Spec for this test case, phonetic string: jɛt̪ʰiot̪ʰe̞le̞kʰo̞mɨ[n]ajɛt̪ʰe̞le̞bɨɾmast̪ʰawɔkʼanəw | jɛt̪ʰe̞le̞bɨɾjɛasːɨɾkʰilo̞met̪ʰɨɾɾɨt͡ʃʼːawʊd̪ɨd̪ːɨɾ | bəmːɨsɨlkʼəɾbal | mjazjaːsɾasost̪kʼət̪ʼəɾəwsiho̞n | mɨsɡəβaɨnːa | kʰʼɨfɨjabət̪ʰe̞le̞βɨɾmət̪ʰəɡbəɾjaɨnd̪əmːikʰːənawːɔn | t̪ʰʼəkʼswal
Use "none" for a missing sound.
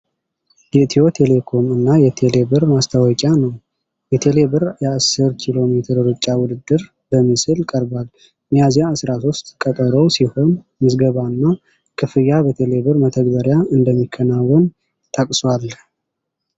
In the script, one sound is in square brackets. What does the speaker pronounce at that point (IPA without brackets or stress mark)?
nː